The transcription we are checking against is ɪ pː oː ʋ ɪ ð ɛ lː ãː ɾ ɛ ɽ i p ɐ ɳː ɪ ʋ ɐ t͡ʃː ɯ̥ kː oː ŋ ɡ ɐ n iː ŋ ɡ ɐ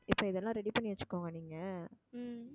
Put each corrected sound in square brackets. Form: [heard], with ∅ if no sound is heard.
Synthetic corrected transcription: ɪ pː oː [∅] ɪ ð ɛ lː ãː ɾ ɛ ɽ i p ɐ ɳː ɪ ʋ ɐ t͡ʃː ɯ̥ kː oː ŋ ɡ ɐ n iː ŋ ɡ ɐ

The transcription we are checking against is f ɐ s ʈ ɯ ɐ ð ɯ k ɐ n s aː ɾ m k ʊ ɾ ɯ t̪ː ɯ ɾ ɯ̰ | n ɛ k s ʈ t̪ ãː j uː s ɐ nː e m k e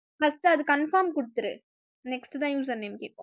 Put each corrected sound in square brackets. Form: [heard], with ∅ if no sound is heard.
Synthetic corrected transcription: f ɐ s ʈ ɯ ɐ ð ɯ k ɐ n [f] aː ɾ m k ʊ [ɽ] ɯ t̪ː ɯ ɾ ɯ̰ | n ɛ k s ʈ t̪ ãː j uː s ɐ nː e m k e

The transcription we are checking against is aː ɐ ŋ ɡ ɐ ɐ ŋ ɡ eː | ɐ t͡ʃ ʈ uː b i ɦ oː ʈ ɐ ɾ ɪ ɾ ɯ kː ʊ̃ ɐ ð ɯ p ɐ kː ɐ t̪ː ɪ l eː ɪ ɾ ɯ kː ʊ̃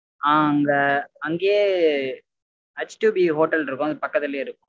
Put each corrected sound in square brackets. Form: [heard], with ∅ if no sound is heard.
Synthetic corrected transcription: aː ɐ ŋ ɡ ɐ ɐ ŋ ɡ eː | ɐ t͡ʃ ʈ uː b i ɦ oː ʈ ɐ [l] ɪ ɾ ɯ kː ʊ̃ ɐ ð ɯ p ɐ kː ɐ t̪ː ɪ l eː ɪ ɾ ɯ kː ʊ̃

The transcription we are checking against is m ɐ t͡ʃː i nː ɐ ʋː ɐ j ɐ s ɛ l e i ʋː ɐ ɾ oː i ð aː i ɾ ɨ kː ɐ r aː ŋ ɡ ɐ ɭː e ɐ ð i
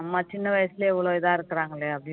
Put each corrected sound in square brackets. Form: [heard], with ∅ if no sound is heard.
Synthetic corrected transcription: m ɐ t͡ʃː i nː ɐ [ʋ] ɐ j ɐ s [i] l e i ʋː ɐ [ɭ] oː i ð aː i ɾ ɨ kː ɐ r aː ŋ ɡ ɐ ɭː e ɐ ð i

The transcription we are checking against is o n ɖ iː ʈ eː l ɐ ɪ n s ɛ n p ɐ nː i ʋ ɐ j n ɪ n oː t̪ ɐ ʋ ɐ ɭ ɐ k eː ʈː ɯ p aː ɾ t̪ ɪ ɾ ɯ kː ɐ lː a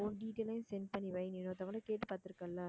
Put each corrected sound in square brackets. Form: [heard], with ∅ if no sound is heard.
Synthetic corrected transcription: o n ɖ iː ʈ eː l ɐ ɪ n s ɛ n p ɐ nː i ʋ ɐ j n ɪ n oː t̪ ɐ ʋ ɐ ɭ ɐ k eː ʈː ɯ p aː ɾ t̪ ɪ ɾ ɯ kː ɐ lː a

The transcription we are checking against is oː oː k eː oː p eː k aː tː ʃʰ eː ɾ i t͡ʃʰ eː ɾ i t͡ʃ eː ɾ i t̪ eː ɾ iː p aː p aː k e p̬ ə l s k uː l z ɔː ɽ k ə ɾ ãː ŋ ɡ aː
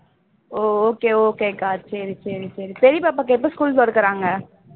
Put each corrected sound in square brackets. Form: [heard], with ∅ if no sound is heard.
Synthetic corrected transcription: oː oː k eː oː [k] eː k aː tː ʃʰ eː ɾ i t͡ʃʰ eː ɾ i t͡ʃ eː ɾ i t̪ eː ɾ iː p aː p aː k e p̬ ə [∅] s k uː l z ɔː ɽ k ə ɾ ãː ŋ ɡ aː

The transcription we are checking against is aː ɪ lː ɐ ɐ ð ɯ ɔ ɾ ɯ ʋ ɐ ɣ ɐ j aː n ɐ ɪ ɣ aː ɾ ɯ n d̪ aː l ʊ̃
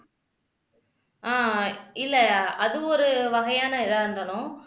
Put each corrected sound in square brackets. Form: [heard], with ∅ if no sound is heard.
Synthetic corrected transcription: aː ɪ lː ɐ ɐ ð ɯ ɔ ɾ ɯ ʋ ɐ ɣ ɐ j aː n ɐ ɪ [ð] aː ɾ ɯ n d̪ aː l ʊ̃

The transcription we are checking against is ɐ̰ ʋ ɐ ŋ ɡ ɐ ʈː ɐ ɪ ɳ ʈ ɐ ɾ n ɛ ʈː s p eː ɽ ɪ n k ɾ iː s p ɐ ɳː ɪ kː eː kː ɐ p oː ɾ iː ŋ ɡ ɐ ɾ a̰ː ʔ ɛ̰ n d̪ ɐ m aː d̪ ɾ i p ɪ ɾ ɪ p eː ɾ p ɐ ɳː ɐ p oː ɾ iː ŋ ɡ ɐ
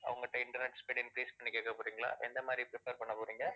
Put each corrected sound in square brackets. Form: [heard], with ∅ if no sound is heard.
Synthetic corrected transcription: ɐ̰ ʋ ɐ ŋ ɡ ɐ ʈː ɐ ɪ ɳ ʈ ɐ ɾ n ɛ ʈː s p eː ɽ ɪ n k ɾ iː s p ɐ ɳː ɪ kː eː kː ɐ p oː ɾ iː ŋ ɡ ɐ [ɭ] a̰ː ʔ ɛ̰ n d̪ ɐ m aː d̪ ɾ i p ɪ ɾ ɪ p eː ɾ p ɐ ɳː ɐ p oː ɾ iː ŋ ɡ ɐ

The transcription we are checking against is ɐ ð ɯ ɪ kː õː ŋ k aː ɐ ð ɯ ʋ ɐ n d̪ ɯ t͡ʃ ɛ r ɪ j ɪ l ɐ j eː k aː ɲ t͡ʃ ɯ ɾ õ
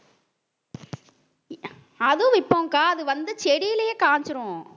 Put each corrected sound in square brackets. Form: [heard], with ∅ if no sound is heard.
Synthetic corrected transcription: ɐ ð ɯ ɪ [pː] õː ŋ k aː ɐ ð ɯ ʋ ɐ n d̪ ɯ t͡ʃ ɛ [ɽ] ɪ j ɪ l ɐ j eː k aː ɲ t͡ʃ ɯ ɾ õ

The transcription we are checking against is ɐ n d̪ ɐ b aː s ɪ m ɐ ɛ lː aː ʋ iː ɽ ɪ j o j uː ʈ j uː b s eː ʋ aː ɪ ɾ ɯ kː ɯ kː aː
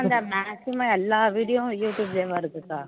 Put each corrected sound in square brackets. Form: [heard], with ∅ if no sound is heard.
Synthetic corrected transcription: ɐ n d̪ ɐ [m] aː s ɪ m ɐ ɛ lː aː ʋ iː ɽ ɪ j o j uː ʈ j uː b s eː ʋ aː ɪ ɾ ɯ kː ɯ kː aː

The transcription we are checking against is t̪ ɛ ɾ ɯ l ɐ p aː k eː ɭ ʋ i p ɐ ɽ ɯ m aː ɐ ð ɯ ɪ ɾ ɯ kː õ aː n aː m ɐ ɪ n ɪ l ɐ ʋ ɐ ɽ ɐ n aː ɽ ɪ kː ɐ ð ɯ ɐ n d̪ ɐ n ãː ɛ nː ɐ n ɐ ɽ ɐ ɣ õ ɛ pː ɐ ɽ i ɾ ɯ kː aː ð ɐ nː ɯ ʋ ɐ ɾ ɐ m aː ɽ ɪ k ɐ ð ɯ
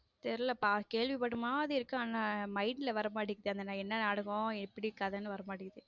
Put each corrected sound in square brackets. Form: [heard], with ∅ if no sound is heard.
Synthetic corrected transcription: t̪ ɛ ɾ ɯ l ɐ p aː k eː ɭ ʋ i p ɐ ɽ ɯ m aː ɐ ð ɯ ɪ ɾ ɯ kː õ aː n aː m ɐ ɪ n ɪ l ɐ ʋ ɐ [ɾ] ɐ [m] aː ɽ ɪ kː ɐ ð ɯ ɐ n d̪ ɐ n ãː ɛ nː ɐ n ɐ ɽ ɐ ɣ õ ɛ pː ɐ ɽ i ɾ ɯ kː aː ð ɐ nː ɯ ʋ ɐ ɾ ɐ m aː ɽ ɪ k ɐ ð ɯ

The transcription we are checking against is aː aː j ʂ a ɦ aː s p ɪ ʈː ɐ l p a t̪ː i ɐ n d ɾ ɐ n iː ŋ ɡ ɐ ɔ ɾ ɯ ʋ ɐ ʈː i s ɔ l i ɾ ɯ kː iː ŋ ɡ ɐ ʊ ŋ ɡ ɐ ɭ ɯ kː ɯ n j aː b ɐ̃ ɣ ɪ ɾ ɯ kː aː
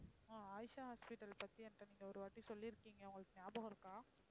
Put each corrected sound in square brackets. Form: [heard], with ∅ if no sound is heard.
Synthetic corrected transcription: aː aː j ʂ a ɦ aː s p ɪ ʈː ɐ l p [ɐ] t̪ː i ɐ n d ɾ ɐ n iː ŋ ɡ ɐ ɔ ɾ ɯ ʋ ɐ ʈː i s ɔ [lː] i ɾ ɯ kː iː ŋ ɡ ɐ ʊ ŋ ɡ ɐ ɭ ɯ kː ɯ n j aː b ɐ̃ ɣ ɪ ɾ ɯ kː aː

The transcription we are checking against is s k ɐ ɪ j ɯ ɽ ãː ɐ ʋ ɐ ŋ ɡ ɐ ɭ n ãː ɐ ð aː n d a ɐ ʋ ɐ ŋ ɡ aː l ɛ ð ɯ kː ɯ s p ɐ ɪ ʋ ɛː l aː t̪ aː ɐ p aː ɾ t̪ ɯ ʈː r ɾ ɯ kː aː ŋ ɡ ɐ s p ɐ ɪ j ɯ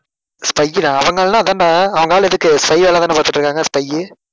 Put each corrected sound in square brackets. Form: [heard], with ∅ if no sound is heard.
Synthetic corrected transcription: s [p] ɐ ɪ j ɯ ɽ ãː ɐ ʋ ɐ ŋ ɡ ɐ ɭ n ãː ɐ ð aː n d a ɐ ʋ ɐ ŋ ɡ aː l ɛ ð ɯ kː ɯ s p ɐ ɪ ʋ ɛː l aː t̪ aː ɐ p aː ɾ t̪ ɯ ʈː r ɾ ɯ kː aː ŋ ɡ ɐ s p ɐ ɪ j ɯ

